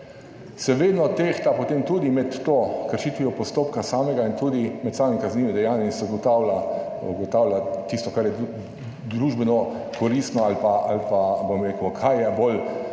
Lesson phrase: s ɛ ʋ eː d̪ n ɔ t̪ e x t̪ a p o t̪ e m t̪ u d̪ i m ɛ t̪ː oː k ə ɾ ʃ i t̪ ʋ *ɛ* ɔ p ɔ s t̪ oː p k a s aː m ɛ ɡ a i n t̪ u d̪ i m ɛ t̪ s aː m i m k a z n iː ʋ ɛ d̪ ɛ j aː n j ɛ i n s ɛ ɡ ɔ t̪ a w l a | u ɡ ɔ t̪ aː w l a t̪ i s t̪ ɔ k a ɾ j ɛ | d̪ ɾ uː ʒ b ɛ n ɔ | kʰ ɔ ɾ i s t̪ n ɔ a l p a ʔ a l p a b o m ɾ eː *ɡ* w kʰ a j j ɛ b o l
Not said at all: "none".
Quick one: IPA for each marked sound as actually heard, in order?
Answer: i, k

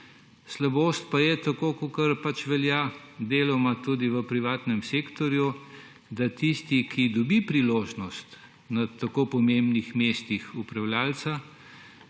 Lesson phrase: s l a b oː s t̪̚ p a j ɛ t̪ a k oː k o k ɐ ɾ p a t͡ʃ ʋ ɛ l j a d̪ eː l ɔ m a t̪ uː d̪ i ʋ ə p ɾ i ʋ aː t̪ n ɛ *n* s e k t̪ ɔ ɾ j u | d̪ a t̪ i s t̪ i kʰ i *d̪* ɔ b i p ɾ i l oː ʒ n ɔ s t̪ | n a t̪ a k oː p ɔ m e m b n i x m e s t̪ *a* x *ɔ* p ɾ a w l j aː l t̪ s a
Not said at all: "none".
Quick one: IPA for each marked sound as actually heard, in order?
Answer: m, d̪, i, u

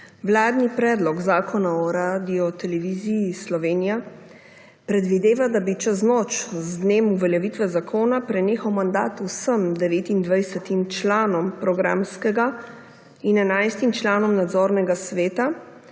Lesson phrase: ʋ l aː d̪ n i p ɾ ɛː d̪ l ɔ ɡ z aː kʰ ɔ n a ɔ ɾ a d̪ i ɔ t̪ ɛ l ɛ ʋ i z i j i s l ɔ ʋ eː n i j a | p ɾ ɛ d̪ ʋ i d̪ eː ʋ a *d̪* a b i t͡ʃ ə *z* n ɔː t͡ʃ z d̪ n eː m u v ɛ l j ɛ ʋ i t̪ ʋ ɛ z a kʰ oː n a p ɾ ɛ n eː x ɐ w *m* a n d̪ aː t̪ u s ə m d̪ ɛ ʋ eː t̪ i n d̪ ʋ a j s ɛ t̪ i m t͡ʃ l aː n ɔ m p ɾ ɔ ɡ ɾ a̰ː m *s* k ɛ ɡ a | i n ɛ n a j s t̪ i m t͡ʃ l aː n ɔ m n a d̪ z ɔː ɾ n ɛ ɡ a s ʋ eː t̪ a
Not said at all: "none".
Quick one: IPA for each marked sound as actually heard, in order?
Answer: d̪, z, m, s

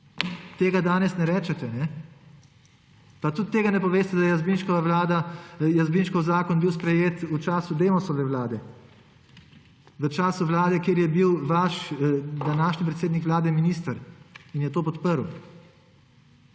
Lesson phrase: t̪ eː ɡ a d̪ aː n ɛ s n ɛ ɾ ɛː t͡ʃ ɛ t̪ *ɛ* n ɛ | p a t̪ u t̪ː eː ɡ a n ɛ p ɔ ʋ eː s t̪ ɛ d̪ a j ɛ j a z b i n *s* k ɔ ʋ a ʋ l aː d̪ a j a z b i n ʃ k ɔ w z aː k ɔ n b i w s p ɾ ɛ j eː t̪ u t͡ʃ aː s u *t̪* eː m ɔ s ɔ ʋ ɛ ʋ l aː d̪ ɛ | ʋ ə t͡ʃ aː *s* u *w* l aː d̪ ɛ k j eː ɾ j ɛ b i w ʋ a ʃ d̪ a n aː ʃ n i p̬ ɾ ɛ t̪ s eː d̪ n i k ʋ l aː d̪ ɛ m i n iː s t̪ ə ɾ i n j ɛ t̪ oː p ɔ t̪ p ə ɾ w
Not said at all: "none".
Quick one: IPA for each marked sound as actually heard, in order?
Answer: ɛ, ʃ, d̪, s, ʋ

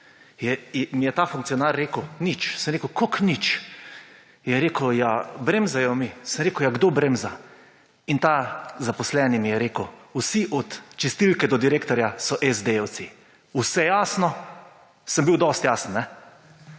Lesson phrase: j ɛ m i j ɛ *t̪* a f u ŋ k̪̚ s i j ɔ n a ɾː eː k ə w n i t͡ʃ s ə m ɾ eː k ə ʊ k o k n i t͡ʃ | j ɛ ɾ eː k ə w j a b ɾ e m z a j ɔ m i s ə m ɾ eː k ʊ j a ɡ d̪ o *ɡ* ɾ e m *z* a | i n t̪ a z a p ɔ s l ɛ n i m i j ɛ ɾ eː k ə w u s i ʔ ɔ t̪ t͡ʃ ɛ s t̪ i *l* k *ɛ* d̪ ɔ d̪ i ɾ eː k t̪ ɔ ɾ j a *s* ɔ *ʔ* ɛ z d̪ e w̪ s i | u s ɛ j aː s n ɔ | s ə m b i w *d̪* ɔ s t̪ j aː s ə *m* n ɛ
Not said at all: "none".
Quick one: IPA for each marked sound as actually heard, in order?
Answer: t̪, b, z, l, ɛ, s, ʔ, d̪, n

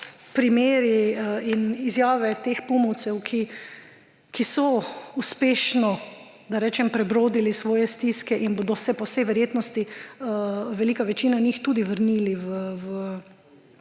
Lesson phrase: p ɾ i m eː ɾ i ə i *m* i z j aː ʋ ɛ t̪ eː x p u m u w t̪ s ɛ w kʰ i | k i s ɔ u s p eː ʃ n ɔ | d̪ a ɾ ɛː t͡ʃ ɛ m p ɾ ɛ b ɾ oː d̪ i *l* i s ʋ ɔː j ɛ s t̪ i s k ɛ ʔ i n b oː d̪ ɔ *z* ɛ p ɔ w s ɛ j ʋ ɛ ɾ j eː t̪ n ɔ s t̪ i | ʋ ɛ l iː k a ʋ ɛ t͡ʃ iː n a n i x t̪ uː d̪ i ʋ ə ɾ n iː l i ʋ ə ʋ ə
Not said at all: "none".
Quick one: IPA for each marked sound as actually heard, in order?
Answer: n, l, s

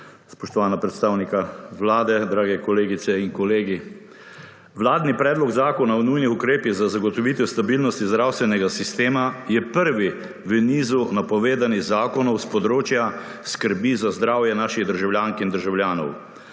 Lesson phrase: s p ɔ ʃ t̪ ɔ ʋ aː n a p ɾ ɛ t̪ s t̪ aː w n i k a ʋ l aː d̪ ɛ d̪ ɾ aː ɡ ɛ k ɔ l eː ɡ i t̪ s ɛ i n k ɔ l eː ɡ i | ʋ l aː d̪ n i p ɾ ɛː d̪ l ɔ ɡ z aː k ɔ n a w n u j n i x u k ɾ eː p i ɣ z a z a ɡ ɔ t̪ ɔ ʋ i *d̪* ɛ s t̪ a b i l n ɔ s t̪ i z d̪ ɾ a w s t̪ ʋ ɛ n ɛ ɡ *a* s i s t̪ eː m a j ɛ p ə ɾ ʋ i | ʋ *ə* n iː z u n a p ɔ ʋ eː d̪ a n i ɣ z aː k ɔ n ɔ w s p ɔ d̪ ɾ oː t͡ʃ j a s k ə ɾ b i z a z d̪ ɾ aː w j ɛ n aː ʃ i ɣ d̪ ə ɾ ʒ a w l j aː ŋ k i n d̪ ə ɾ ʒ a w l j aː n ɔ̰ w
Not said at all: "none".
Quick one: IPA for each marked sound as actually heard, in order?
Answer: t̪, a, ə

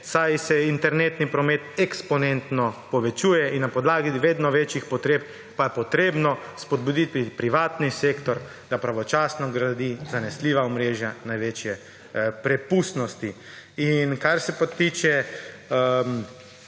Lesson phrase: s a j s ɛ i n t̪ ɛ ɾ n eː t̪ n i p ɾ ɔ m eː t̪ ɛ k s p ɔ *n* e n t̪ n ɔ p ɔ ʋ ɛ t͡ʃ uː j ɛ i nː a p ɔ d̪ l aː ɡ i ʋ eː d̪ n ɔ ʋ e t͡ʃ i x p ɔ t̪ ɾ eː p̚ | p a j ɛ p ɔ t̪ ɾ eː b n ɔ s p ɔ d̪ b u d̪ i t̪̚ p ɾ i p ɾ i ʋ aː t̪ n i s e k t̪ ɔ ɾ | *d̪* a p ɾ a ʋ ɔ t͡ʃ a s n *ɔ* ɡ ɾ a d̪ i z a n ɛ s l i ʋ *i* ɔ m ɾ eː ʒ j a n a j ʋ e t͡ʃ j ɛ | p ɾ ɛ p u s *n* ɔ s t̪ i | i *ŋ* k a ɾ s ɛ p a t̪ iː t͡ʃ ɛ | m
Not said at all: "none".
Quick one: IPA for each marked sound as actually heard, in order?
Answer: n, d̪, ɔ, a, n, n

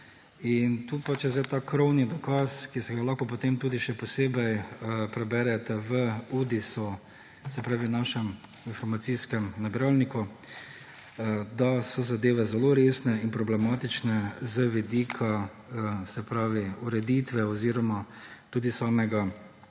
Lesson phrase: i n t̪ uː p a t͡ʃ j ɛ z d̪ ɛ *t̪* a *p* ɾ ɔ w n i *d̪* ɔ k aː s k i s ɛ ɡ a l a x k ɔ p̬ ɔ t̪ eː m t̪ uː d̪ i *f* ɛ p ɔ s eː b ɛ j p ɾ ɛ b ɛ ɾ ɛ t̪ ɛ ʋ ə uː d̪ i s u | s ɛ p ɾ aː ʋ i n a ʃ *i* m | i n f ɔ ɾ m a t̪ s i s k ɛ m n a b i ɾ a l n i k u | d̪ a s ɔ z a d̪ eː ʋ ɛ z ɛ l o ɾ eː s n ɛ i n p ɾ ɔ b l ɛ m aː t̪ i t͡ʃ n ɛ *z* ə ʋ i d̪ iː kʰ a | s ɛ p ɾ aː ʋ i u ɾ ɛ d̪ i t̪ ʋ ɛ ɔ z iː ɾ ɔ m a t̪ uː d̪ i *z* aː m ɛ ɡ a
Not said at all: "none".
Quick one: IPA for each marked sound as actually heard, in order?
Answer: t̪, k, d̪, ʃ, ɛ, z, s

